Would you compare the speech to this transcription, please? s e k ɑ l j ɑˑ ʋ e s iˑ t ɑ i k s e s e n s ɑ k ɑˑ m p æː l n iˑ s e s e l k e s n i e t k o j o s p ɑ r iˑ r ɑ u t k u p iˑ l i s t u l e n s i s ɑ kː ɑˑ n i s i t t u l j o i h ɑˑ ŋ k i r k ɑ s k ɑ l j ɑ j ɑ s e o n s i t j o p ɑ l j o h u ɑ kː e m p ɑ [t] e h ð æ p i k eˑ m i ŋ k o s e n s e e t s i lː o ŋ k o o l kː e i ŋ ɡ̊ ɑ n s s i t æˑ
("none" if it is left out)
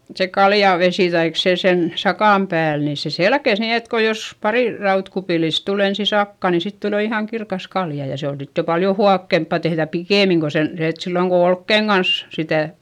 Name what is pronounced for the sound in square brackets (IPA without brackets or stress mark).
t